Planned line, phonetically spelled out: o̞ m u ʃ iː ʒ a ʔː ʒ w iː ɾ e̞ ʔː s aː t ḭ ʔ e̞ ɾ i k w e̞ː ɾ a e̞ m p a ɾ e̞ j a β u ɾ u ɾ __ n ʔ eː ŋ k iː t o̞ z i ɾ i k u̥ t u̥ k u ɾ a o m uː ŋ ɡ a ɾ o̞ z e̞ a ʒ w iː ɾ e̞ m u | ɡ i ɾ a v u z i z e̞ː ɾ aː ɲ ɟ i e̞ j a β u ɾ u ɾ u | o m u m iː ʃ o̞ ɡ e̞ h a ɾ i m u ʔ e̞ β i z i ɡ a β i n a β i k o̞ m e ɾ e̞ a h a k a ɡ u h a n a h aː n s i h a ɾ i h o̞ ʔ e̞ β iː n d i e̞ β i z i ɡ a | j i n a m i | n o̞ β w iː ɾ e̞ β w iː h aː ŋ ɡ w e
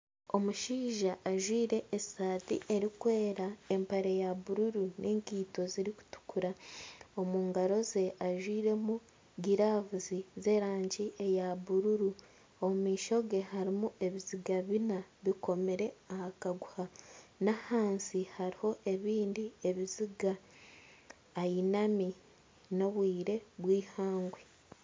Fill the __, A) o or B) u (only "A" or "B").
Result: B